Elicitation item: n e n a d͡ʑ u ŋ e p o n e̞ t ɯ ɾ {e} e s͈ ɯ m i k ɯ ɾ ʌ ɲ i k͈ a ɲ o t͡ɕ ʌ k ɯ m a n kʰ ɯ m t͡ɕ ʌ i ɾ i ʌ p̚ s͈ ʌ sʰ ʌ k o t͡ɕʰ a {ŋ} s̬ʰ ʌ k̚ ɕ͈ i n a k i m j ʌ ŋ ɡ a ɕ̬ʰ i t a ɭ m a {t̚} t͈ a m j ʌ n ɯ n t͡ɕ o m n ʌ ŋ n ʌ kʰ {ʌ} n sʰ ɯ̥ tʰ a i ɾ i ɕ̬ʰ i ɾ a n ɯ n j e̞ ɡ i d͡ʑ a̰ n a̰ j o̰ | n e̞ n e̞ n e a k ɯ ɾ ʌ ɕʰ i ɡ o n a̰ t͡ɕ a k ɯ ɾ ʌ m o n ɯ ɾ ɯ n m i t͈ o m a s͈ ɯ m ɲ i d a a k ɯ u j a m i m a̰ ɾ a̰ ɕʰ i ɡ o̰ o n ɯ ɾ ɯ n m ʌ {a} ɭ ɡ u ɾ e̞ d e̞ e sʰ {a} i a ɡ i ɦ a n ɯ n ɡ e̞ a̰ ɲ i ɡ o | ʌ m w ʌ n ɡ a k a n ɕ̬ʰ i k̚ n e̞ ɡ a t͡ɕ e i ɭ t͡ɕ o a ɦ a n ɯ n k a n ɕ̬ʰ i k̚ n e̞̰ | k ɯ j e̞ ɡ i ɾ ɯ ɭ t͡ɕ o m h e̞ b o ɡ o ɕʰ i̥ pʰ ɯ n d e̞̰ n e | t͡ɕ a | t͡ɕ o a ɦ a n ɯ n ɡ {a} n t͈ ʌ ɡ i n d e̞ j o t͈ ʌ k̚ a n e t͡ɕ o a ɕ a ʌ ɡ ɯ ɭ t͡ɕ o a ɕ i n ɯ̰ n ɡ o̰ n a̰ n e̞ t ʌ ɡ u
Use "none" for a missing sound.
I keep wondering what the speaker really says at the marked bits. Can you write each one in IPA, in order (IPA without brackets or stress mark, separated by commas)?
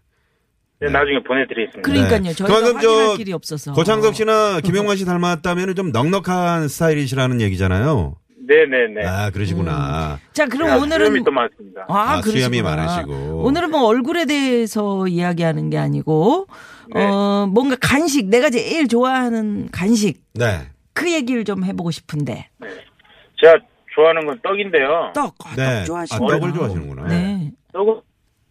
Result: i, ŋ, t̚, a, ʌ, ʌ, ʌ